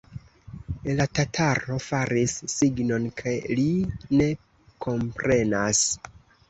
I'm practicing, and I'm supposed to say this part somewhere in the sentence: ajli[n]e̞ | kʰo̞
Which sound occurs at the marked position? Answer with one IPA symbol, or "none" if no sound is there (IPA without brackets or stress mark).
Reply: n